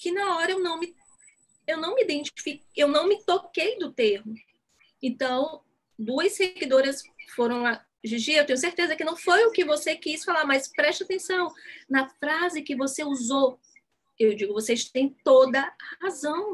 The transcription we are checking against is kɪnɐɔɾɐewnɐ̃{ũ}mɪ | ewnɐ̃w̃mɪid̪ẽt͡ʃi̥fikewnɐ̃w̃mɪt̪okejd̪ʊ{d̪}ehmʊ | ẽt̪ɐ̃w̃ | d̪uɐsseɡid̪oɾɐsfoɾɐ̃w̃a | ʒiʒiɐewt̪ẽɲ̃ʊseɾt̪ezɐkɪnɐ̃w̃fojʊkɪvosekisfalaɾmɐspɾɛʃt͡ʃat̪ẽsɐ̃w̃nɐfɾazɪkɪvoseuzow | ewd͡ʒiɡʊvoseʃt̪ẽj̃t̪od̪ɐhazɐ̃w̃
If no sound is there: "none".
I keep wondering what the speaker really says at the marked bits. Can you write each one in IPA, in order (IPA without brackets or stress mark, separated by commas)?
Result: w̃, t̪